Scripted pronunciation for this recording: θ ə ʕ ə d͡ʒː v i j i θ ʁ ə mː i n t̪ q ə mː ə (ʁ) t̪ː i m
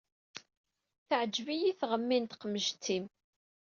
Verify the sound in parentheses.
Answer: incorrect: ʒ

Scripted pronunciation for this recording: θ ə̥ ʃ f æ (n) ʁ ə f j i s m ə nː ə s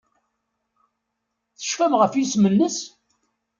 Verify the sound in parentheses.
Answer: incorrect: m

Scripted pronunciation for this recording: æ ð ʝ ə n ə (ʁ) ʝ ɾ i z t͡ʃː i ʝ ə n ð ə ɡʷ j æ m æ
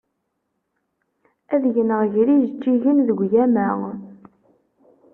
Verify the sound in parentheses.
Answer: correct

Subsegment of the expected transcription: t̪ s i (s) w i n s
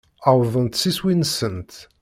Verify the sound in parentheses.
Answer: correct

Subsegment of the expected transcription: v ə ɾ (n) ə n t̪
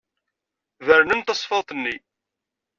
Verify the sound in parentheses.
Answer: correct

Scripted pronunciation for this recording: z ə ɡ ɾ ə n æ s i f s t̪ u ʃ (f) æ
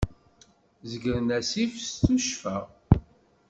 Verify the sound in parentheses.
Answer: correct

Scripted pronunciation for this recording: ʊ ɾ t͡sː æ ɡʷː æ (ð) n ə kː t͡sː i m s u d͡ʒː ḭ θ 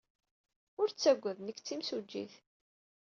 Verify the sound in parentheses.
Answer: correct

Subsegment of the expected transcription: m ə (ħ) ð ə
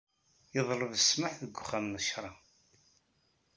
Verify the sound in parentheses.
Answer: correct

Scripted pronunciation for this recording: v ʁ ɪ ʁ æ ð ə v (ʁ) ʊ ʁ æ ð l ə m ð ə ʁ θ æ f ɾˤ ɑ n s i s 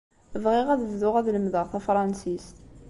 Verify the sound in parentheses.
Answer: incorrect: ð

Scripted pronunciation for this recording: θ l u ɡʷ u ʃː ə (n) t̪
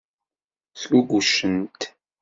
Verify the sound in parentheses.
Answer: correct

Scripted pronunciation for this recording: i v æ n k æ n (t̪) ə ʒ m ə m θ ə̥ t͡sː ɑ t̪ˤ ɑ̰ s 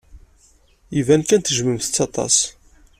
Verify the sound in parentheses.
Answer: correct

